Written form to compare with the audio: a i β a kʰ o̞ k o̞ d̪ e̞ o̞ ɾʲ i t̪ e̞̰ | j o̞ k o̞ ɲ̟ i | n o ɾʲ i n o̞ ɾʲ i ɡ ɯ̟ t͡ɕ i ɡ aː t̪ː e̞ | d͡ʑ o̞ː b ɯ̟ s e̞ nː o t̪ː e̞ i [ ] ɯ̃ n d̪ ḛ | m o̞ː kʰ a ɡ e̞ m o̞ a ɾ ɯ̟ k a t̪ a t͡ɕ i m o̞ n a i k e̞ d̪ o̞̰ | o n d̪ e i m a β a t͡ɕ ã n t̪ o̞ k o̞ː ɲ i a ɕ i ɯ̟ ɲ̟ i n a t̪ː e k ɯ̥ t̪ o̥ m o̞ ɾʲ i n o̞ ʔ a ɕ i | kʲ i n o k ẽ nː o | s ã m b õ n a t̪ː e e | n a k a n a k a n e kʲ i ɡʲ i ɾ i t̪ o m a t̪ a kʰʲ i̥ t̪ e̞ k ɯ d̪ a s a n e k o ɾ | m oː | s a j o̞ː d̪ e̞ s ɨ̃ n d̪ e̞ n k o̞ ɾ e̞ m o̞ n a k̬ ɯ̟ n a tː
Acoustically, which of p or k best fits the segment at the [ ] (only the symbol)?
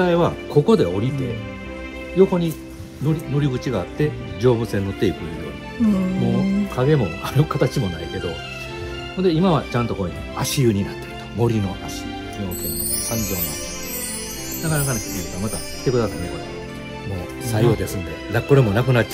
k